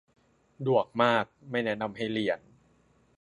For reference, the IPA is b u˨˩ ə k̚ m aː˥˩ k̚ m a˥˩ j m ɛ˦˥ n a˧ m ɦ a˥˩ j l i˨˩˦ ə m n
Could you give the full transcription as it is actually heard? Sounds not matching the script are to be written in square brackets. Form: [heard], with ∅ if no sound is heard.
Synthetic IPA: [d] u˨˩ ə k̚ m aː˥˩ k̚ m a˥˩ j [n] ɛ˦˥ n a˧ m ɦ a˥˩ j l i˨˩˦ ə [∅] n

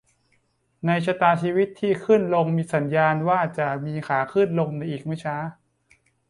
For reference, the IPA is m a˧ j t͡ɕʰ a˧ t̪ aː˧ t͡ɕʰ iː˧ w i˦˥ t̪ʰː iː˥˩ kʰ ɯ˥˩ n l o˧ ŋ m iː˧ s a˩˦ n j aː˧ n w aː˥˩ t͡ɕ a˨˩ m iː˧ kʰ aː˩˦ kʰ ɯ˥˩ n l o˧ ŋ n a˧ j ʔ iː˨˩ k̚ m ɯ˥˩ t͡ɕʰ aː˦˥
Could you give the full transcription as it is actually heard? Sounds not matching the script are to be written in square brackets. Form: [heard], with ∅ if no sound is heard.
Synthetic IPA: [n] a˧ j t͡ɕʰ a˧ t̪ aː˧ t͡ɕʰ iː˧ w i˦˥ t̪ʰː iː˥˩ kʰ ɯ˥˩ n l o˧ ŋ m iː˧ s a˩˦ n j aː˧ n w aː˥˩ t͡ɕ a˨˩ m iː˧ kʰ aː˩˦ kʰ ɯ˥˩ n l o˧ ŋ n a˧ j ʔ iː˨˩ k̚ m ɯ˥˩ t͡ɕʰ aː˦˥

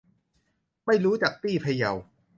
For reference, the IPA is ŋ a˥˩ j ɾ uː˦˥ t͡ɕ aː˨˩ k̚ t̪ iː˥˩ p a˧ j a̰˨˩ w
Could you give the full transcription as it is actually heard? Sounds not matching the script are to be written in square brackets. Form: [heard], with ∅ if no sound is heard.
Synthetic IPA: [m] a˥˩ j ɾ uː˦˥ t͡ɕ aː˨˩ k̚ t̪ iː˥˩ [pʰ] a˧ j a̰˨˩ w

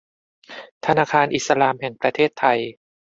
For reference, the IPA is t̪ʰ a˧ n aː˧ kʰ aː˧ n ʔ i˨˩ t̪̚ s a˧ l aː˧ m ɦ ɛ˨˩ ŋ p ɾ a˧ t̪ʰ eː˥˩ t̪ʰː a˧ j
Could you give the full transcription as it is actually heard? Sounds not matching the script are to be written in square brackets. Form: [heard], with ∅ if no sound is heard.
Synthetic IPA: t̪ʰ a˧ n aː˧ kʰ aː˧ n ʔ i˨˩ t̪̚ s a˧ l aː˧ m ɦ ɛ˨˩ ŋ p ɾ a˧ t̪ʰ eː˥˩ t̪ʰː a˧ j

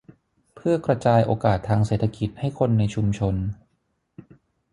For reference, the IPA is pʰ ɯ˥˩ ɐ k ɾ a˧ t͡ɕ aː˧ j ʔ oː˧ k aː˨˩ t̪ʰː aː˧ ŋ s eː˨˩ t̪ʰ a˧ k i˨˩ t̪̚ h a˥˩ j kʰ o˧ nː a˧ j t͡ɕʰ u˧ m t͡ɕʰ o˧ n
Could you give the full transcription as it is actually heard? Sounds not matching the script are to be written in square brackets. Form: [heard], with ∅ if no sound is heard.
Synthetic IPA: pʰ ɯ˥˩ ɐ k ɾ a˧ t͡ɕ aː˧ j ʔ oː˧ k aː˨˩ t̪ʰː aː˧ ŋ s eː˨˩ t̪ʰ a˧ k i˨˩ t̪̚ h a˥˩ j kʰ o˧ nː a˧ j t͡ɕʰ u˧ m t͡ɕʰ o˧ n

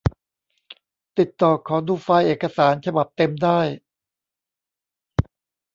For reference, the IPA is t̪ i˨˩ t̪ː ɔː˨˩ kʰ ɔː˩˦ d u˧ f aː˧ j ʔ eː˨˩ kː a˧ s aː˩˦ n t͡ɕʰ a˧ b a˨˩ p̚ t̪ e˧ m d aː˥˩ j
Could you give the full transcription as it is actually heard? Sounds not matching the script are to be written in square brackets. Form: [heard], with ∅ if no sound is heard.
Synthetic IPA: t̪ i˨˩ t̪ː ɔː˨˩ kʰ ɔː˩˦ d [uː˧] f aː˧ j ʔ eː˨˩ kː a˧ s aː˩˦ n t͡ɕʰ a˧ b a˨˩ p̚ t̪ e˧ m d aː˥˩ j

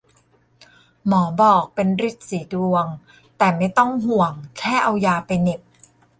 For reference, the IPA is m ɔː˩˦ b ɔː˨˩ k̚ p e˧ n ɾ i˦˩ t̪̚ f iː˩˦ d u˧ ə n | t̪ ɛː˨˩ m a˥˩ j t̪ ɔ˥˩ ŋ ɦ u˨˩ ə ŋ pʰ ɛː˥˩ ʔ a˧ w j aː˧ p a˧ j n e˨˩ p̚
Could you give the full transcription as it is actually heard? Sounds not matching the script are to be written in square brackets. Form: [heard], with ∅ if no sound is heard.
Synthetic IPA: m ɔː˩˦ b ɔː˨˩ k̚ p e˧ n ɾ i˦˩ t̪̚ [s] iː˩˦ d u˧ ə [ŋ] | t̪ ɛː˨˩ m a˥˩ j t̪ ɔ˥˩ ŋ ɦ u˨˩ ə ŋ [kʰ] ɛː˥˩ ʔ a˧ w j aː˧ p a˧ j n e˨˩ p̚

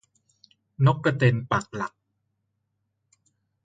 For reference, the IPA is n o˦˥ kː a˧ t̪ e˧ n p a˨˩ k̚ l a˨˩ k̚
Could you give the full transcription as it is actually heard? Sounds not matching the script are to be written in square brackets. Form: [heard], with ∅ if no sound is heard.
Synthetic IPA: n o˦˥ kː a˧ t̪ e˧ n p a˨˩ k̚ l a˨˩ k̚

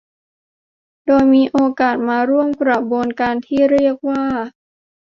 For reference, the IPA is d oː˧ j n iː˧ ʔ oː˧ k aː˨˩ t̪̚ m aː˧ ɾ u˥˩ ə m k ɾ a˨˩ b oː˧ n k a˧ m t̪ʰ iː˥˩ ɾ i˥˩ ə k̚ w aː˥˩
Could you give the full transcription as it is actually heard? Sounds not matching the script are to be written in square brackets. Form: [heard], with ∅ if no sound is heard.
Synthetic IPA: d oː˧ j [m] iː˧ ʔ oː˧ k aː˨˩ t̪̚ m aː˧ ɾ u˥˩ ə m k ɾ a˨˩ b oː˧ n k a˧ [n] t̪ʰ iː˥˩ ɾ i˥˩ ə k̚ w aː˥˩

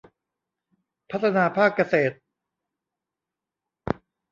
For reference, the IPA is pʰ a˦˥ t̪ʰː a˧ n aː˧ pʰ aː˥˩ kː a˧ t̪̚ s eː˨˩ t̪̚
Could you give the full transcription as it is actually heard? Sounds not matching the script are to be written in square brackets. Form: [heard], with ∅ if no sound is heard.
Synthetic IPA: pʰ a˦˥ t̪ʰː a˧ n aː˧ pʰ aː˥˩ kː a˧ [∅] s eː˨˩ t̪̚

